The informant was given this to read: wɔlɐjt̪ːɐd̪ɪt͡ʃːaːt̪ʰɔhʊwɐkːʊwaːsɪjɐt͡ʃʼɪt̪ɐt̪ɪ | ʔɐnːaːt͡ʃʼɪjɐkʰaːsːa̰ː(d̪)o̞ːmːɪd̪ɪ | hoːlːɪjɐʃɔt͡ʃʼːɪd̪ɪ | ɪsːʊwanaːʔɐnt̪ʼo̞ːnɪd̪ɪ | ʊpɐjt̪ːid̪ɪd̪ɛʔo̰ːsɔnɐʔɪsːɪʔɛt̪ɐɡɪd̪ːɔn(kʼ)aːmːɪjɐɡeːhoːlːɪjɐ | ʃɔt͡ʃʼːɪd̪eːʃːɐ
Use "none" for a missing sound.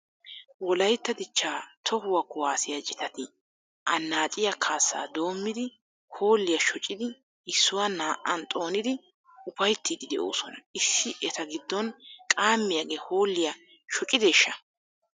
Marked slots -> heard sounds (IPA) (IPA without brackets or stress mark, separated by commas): d̪, kʼ